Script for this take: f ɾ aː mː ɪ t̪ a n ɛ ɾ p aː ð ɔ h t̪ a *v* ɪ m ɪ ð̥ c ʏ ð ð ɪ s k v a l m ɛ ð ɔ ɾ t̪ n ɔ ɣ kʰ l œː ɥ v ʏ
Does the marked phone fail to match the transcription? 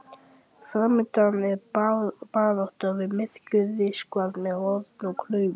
no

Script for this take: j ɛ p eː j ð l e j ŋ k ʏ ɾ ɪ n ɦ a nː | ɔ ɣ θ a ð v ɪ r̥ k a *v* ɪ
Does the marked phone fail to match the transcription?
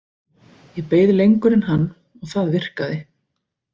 yes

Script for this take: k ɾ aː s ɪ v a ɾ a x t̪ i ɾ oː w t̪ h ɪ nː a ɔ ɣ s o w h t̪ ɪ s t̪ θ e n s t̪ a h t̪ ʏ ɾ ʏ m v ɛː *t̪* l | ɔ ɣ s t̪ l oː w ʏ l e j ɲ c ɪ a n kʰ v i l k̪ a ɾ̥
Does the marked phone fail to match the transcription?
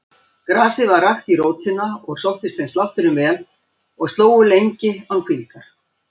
yes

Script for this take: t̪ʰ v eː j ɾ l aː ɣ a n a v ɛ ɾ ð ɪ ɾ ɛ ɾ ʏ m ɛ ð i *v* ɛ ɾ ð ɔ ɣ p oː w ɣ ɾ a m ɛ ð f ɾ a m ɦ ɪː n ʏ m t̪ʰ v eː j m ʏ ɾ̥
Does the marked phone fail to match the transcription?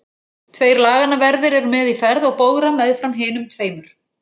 yes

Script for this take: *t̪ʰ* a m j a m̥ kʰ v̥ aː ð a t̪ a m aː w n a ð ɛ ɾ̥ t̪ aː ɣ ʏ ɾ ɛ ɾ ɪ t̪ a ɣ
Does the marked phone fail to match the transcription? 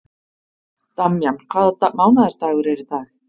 yes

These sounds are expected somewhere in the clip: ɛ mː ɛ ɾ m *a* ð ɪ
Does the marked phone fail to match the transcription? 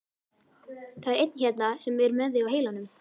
yes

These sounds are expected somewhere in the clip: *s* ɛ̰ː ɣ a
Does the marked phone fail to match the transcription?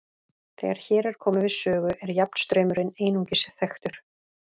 yes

